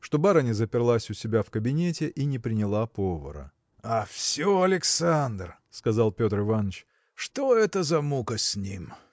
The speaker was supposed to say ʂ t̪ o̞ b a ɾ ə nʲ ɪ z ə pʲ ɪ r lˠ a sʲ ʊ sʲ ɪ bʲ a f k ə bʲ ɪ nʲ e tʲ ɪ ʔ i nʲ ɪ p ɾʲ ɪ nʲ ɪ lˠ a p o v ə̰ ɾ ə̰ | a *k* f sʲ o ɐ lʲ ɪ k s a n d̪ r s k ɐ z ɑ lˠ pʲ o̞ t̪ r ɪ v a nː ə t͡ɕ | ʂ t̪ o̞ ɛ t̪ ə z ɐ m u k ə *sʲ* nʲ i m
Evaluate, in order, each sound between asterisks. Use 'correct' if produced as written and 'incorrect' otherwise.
incorrect: none, correct

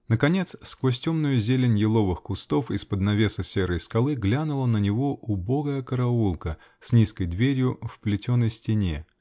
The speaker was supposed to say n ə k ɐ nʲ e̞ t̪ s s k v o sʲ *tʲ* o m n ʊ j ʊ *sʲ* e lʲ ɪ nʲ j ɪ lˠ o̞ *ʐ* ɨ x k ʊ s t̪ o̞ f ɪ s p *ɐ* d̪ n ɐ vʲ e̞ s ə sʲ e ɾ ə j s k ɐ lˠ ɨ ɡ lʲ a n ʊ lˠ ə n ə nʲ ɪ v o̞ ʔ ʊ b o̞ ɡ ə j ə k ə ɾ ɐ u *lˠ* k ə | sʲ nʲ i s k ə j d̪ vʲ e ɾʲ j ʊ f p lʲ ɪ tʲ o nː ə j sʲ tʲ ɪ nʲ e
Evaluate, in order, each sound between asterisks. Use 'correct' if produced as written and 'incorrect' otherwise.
correct, incorrect: zʲ, incorrect: v, incorrect: ə, correct

